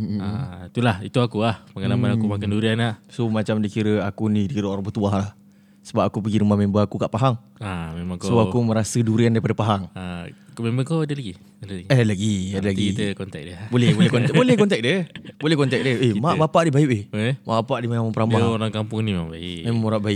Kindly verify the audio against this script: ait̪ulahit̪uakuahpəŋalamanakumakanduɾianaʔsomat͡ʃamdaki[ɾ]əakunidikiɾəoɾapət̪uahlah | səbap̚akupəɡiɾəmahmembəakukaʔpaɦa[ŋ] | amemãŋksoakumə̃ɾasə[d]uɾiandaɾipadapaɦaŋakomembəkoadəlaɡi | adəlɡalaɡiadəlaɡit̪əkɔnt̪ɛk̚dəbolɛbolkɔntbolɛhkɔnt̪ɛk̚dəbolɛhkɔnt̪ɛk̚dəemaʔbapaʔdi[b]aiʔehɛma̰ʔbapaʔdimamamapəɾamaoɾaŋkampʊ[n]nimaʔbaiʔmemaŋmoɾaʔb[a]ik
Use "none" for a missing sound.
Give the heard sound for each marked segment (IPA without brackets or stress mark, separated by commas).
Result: ɾ, ŋ, d, b, ŋ, a